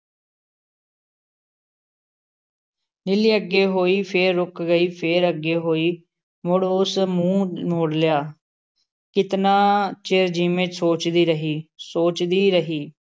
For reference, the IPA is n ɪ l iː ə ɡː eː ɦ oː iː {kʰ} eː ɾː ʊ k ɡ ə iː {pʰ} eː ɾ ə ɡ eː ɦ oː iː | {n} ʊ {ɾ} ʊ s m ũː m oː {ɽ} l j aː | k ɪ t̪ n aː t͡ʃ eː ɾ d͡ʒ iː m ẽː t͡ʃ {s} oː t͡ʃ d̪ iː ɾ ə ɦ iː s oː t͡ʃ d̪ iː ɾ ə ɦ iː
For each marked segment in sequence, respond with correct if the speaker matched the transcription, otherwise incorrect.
incorrect: pʰ, correct, incorrect: m, incorrect: ɽ, correct, correct

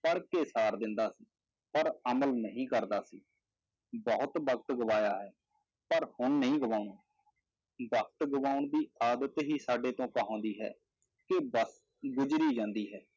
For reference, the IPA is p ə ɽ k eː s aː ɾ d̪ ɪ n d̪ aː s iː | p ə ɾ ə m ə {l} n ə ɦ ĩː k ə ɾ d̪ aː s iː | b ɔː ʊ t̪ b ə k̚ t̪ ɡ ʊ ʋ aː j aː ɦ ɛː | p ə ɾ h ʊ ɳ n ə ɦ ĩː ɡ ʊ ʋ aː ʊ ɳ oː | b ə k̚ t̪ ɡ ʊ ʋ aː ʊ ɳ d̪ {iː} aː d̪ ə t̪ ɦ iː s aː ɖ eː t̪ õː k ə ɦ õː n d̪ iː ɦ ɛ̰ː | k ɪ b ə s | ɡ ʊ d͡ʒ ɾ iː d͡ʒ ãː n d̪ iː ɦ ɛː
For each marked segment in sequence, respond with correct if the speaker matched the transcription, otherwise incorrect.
correct, correct

